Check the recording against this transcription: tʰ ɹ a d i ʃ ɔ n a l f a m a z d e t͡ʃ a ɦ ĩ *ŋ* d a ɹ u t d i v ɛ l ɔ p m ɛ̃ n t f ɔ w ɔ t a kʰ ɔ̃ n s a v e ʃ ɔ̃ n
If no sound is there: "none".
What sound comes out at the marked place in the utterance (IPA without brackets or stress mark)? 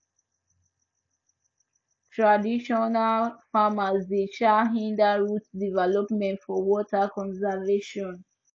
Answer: n